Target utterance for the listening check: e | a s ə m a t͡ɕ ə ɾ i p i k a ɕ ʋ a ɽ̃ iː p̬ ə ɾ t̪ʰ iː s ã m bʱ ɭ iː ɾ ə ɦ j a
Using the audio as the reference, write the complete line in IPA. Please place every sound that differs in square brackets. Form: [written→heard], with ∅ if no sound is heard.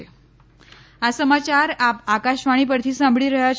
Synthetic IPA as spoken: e | a s ə m a t͡ɕ [ə→a] ɾ [i→a] p [i→a] k a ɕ ʋ a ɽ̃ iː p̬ ə ɾ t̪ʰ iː s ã m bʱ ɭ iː ɾ ə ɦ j a